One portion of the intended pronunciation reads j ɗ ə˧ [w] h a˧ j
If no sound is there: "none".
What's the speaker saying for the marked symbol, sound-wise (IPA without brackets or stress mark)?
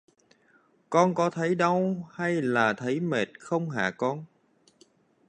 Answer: w